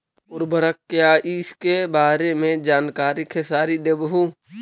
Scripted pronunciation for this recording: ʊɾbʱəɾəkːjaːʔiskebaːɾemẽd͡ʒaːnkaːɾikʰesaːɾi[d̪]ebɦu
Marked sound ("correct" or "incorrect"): correct